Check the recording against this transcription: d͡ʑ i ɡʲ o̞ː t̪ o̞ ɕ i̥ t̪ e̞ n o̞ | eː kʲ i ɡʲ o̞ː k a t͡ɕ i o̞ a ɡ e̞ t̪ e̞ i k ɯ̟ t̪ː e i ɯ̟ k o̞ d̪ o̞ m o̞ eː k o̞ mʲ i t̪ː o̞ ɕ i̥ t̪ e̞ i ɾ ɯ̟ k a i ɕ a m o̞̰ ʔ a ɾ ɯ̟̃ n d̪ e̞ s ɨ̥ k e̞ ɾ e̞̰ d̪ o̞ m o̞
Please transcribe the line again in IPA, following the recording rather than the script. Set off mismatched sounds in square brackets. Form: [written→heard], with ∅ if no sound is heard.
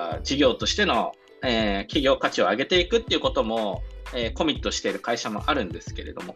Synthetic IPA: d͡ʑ i ɡʲ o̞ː t̪ o̞ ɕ i̥ t̪ e̞ n o̞ | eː kʲ i ɡʲ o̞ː k a t͡ɕ i o̞ a ɡ e̞ t̪ e̞ i k ɯ̟ t̪ː e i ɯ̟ k o̞ [d̪→t̪] o̞ m o̞ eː k o̞ mʲ i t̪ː o̞ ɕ i̥ t̪ e̞ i ɾ ɯ̟ k a i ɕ a m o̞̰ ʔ a ɾ ɯ̟̃ n d̪ e̞ s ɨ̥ k e̞ ɾ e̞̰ d̪ o̞ m o̞